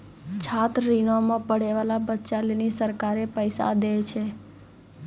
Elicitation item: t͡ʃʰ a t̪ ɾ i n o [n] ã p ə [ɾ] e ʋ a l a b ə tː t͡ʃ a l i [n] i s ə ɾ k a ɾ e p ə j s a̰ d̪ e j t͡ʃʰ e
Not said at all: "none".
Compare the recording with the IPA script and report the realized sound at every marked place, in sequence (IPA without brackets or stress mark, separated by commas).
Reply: m, ɽ, n